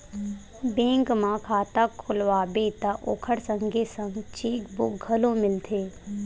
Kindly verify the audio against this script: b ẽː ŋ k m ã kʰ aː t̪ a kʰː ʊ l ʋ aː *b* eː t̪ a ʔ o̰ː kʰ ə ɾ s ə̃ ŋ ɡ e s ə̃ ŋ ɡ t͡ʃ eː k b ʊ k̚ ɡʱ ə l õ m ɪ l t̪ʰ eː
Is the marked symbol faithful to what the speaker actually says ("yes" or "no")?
yes